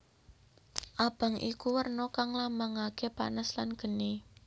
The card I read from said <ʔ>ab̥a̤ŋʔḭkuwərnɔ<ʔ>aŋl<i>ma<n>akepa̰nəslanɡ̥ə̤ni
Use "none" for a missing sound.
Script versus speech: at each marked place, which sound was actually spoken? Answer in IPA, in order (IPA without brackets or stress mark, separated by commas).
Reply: ʔ, k, a, ŋ